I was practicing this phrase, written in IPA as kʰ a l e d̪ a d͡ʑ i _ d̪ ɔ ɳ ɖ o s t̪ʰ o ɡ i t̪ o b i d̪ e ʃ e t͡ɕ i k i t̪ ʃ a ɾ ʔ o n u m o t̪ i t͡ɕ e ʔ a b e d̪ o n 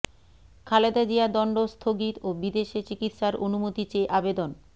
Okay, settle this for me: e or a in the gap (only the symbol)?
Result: a